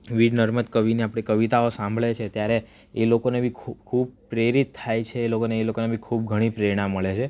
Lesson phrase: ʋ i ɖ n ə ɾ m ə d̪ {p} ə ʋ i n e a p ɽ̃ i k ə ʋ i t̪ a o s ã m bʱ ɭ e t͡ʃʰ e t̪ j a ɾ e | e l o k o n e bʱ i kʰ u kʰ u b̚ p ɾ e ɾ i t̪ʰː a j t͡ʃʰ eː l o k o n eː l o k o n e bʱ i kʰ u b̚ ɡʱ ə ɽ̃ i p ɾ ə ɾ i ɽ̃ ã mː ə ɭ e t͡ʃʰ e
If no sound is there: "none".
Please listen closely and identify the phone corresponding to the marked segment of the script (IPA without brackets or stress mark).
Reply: k